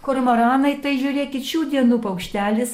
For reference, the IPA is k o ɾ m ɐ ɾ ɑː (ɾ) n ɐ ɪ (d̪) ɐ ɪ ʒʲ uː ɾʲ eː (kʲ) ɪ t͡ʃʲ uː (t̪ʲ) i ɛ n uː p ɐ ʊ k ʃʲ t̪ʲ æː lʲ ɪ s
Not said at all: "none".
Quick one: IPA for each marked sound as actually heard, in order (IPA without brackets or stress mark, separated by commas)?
none, t̪, kʲ, d̪ʲ